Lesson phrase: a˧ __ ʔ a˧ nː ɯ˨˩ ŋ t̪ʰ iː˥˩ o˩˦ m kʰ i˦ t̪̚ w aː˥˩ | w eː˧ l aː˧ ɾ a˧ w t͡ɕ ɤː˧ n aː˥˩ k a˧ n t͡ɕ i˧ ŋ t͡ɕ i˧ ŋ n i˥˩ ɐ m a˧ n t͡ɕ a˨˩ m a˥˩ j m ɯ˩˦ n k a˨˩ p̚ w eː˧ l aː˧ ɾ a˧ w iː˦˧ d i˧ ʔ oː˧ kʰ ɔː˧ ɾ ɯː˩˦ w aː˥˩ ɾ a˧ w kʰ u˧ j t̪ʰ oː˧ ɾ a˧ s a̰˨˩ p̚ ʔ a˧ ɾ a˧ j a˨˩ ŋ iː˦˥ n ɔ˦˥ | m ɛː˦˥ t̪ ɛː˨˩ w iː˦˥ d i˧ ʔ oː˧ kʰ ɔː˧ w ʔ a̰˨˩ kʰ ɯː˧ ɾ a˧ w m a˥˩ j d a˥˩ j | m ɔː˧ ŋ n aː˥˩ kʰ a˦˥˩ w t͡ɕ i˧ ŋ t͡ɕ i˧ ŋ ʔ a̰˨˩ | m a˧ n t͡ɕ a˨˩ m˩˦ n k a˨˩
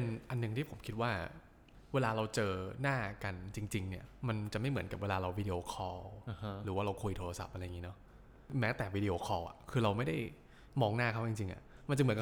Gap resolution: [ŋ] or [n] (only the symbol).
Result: n